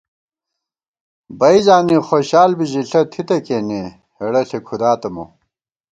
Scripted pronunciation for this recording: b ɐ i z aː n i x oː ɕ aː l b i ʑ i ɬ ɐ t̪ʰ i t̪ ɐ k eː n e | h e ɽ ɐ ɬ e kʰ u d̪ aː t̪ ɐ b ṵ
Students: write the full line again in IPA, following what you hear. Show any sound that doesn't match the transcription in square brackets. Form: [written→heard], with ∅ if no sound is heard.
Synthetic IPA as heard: b ɐ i z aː n i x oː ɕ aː l b i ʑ i ɬ ɐ t̪ʰ i t̪ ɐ k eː n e | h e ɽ ɐ ɬ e kʰ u d̪ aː t̪ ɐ [b→m] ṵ